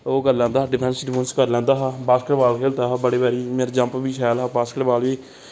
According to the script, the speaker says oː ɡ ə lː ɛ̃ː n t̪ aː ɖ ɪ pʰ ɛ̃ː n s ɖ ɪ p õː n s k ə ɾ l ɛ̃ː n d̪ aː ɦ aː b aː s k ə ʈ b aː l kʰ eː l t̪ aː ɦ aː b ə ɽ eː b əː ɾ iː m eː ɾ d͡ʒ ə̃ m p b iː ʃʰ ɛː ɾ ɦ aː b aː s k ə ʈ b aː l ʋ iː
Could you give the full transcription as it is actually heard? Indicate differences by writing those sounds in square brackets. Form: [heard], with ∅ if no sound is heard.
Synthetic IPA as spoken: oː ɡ ə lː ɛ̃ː n [d̪] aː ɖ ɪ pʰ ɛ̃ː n s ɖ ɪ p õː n s k ə ɾ l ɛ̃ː n d̪ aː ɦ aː b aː s k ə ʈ b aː l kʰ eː l t̪ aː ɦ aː b ə ɽ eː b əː ɾ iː m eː ɾ d͡ʒ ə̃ m p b iː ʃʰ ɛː [l] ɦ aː b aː s k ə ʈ b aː l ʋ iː